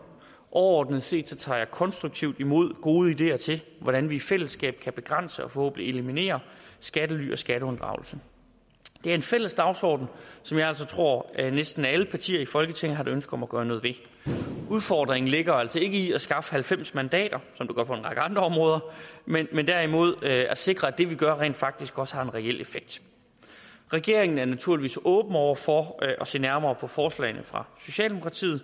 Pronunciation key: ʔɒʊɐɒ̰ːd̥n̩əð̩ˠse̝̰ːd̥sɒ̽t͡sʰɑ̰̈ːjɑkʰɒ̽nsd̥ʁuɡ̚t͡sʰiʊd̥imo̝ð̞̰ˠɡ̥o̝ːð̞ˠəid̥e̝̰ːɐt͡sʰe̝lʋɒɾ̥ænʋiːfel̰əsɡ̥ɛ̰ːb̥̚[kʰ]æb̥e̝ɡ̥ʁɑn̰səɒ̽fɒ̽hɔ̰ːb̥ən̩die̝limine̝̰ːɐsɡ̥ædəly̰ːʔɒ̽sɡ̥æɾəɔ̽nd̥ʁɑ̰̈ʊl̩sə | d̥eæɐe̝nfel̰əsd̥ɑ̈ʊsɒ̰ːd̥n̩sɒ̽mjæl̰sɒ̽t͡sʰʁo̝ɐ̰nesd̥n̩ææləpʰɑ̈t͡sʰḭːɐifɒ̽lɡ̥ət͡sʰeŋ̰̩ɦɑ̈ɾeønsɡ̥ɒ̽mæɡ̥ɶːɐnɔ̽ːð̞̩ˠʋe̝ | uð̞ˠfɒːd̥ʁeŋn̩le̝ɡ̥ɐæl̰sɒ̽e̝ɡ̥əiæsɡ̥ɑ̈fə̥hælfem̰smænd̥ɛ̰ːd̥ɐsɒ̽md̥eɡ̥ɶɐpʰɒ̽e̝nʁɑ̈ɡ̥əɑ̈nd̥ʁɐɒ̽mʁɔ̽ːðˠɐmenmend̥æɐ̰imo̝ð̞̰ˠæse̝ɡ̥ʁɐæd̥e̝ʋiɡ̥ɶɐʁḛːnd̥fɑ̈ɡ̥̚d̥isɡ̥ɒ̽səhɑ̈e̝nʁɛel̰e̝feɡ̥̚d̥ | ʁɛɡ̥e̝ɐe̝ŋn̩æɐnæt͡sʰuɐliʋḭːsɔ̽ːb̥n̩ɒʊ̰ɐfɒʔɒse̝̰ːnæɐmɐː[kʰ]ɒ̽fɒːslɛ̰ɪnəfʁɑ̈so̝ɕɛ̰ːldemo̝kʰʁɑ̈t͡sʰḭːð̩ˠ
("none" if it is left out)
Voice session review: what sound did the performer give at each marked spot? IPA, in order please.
kʰ, pʰ

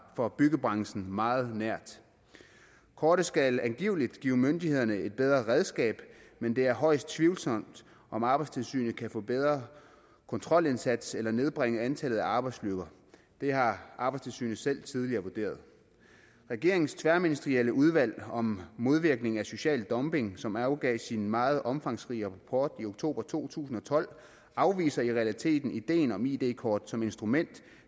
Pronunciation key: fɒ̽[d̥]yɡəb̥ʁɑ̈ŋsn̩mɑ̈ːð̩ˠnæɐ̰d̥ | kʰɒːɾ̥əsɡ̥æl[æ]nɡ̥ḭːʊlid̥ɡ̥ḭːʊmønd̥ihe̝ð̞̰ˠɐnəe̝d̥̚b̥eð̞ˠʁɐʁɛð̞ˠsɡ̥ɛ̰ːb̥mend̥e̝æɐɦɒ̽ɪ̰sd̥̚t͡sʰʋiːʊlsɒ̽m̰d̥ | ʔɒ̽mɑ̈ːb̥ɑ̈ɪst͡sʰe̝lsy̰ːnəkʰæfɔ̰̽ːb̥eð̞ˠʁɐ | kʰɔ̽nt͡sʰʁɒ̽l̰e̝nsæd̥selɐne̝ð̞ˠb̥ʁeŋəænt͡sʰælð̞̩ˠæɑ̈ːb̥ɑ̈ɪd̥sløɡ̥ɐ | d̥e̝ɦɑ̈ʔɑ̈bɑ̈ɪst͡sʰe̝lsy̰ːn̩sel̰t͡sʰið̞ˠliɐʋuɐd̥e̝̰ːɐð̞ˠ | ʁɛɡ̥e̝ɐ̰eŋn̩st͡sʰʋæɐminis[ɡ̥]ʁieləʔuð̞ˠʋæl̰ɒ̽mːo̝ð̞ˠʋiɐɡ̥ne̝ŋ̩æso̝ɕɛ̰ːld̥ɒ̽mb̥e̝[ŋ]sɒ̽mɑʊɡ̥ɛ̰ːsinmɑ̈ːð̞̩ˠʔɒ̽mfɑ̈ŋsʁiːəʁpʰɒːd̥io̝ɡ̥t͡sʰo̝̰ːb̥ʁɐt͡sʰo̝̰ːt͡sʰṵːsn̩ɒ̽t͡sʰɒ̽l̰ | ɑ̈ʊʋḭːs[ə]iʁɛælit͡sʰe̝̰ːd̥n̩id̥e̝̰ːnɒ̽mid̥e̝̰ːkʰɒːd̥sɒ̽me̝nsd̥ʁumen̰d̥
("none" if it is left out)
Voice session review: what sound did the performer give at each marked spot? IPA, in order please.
b̥, æ, d̥, ŋ, ɐ

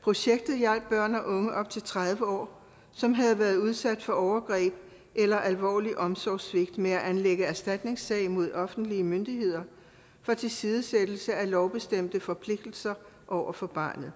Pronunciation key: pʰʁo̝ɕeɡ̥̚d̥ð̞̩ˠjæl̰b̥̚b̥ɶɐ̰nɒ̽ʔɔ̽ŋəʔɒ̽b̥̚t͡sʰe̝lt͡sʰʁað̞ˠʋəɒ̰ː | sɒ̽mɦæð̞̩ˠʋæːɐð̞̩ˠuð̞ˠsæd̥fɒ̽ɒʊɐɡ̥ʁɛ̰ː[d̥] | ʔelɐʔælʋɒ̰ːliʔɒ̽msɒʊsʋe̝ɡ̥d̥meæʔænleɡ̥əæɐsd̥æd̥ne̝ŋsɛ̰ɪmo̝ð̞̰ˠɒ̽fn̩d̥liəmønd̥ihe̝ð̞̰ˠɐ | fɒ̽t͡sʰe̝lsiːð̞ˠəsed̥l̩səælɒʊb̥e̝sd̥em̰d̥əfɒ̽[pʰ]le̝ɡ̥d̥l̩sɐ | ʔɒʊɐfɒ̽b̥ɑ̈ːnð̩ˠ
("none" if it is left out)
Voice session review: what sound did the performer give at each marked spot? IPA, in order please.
b̥, pʰ

